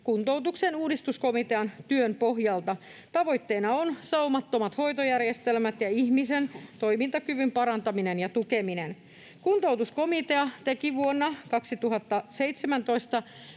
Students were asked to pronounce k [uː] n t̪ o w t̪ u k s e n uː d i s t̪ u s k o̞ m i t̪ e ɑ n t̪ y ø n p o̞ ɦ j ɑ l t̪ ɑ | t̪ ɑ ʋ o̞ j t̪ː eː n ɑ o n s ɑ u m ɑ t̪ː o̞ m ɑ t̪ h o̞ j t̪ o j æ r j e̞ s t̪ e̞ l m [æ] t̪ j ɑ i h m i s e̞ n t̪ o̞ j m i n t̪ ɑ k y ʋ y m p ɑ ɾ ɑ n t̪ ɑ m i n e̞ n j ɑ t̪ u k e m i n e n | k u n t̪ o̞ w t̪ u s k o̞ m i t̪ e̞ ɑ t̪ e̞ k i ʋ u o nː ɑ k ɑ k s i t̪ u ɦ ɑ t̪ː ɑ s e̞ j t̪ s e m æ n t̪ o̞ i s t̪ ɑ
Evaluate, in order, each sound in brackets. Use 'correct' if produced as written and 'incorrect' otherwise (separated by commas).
incorrect, correct